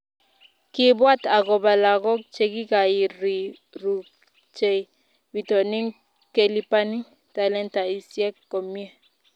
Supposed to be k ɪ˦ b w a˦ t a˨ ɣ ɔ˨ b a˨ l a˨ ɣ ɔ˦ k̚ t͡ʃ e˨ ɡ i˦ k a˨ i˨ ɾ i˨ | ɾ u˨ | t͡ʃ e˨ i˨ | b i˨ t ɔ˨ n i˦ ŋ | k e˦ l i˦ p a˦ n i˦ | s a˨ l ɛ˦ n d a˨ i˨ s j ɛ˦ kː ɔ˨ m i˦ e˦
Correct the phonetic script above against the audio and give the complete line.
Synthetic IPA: k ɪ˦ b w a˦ t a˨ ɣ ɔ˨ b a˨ l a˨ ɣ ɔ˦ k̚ t͡ʃ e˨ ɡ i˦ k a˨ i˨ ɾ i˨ | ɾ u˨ | t͡ʃ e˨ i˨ | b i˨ t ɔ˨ n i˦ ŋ | k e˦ l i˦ p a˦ n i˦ | t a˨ l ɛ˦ n t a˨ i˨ s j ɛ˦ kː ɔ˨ m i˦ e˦